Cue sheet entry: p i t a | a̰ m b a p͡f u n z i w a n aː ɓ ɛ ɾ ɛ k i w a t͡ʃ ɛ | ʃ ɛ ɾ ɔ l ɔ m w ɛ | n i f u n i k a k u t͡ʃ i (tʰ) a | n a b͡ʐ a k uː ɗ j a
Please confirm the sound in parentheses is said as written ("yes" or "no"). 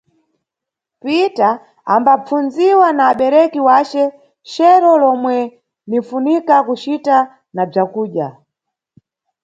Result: no